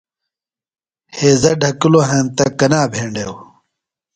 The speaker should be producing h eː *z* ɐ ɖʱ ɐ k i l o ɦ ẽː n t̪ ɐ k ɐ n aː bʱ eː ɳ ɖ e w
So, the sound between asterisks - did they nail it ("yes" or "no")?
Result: yes